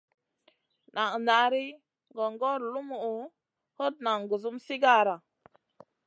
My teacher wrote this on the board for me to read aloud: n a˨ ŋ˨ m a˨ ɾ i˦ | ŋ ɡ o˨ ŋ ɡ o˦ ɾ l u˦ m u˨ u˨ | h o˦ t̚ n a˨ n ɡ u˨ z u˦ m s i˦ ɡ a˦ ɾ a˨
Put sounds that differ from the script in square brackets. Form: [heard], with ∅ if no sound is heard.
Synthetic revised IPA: n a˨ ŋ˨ [n] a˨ ɾ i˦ | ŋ ɡ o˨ ŋ ɡ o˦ ɾ l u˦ m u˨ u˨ | h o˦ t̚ n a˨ [ŋ] ɡ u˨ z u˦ m s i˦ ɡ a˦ ɾ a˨